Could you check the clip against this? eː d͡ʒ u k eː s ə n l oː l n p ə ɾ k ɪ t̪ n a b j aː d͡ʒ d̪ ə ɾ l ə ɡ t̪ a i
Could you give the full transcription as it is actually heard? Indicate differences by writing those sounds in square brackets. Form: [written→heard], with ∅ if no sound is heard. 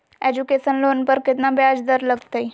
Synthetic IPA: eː d͡ʒ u k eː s ə n l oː [l→∅] n p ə ɾ k ɪ t̪ n a b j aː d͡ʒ d̪ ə ɾ l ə ɡ t̪ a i